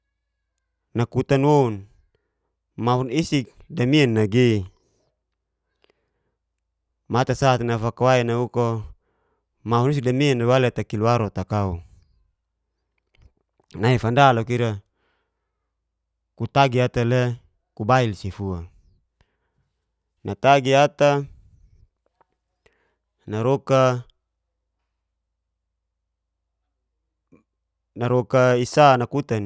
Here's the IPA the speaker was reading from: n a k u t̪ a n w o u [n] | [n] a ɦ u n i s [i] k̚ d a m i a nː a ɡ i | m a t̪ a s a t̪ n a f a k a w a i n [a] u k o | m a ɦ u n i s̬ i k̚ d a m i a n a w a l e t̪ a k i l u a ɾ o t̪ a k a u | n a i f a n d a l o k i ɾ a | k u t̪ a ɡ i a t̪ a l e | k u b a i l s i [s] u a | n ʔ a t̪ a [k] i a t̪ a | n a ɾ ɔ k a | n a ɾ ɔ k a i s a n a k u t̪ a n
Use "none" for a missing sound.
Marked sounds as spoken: n, m, i, a, f, ɡ

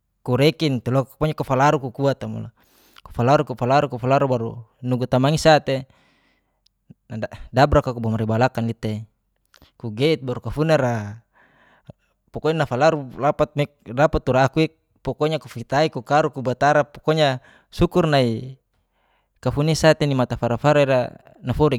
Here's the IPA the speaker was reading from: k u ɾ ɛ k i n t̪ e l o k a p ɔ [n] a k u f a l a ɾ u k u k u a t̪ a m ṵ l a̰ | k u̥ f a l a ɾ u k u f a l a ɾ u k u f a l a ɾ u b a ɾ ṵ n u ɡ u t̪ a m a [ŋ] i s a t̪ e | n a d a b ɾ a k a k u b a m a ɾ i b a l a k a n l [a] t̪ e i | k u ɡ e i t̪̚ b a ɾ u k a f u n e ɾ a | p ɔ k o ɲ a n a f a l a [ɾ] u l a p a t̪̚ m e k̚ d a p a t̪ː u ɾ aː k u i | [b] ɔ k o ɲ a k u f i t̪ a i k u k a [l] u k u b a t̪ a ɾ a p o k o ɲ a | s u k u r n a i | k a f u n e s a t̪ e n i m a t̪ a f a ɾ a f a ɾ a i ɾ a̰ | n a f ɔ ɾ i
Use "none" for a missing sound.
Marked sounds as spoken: ɲ, ŋ, i, ɾ, p, ɾ

